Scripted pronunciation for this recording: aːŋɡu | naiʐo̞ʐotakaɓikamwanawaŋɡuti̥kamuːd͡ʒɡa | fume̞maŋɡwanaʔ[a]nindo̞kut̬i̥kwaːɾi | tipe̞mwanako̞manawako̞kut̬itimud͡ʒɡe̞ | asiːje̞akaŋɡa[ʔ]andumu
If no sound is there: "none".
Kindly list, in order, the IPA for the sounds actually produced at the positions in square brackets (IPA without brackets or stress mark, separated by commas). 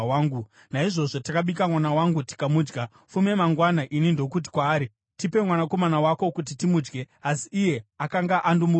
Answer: i, ʔ